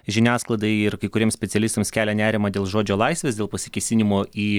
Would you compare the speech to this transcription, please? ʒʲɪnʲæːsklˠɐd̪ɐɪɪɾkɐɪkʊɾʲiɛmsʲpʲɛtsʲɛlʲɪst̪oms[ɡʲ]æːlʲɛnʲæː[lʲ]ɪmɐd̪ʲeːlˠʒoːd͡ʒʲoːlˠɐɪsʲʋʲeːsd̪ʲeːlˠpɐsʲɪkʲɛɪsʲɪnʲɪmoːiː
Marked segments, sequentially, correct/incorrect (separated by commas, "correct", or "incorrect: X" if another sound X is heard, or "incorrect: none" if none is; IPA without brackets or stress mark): incorrect: kʲ, incorrect: ɾʲ